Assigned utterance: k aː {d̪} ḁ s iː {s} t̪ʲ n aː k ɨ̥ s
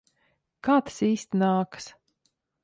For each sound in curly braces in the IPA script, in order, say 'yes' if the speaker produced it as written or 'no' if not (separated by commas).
no, yes